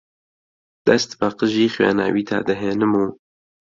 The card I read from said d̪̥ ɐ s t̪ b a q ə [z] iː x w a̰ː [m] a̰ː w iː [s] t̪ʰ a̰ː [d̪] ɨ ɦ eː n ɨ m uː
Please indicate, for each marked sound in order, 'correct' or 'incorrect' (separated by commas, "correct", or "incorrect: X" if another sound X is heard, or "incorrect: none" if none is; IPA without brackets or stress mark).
incorrect: ʒ, incorrect: n, incorrect: none, correct